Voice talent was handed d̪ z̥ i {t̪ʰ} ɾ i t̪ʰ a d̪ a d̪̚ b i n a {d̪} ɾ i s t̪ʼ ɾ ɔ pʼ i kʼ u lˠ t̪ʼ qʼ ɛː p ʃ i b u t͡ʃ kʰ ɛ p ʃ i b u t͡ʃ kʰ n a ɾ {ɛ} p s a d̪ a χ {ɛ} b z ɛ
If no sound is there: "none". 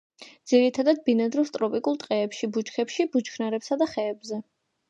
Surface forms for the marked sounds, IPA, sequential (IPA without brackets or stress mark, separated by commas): none, d̪, ɛ, ɛː